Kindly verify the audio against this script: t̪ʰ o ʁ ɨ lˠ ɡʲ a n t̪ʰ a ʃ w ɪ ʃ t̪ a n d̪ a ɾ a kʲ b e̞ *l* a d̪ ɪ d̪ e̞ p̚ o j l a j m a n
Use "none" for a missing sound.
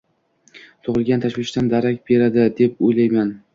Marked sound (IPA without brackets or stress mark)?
ɾ